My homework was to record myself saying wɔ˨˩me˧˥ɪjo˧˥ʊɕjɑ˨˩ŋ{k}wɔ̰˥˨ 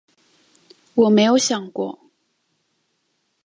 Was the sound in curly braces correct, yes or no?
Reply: yes